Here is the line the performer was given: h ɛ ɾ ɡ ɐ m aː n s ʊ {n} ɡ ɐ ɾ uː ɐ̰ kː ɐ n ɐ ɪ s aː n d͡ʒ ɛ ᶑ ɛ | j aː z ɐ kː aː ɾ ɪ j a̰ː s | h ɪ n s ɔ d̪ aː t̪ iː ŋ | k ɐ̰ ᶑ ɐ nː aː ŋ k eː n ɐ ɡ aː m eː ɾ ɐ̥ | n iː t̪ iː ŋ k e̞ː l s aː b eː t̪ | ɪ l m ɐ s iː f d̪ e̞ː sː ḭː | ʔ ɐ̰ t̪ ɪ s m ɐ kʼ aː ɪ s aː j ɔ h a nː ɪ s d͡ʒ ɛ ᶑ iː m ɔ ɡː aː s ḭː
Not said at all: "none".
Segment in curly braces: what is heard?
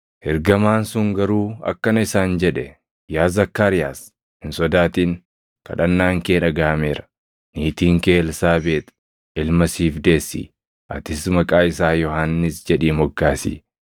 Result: ŋ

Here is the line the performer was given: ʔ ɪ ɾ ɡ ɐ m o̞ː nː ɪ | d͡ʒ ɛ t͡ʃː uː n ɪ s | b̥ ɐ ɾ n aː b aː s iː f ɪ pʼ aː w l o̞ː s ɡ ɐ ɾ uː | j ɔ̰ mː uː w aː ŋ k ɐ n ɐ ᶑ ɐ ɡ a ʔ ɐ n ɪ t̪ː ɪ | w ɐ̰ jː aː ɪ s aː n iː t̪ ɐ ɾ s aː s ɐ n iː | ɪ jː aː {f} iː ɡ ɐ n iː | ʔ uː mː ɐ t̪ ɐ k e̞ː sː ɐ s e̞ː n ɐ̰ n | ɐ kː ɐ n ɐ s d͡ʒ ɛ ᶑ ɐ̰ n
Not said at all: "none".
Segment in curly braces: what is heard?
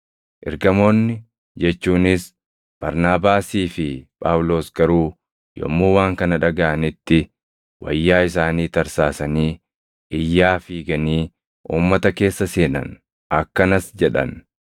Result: f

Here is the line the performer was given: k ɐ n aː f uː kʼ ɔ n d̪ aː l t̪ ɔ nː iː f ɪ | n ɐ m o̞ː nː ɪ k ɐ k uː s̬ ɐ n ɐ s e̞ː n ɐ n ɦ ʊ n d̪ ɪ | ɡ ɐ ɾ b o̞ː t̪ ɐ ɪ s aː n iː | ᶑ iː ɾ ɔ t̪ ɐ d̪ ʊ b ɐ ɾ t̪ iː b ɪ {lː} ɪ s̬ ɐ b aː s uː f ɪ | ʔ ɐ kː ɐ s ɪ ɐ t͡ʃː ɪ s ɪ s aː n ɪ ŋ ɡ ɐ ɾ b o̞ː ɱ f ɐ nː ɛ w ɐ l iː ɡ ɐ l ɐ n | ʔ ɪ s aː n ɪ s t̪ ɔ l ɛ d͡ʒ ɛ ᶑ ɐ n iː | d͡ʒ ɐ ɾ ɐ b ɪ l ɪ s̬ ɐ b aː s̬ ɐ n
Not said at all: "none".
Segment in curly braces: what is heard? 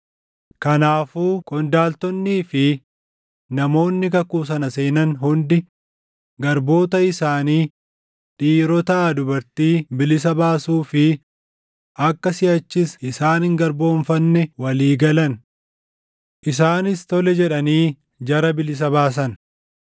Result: l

